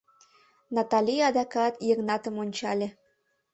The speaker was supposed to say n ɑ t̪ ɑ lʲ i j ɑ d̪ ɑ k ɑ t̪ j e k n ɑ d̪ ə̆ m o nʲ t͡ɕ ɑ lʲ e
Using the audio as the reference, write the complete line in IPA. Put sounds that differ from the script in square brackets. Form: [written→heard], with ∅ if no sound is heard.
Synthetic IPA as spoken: n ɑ t̪ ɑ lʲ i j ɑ d̪ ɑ k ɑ t̪ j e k n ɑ [d̪→t̪] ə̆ m o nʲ t͡ɕ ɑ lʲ e